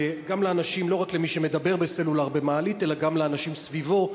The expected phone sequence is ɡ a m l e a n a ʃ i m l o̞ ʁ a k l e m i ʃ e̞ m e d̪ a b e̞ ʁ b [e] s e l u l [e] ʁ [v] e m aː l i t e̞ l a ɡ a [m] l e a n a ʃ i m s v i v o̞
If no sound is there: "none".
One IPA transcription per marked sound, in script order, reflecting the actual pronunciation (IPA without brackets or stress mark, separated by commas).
e, a, b, m